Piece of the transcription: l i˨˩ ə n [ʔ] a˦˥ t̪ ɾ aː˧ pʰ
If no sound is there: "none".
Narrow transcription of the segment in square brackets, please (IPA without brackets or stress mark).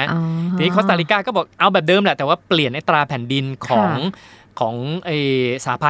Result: ʔ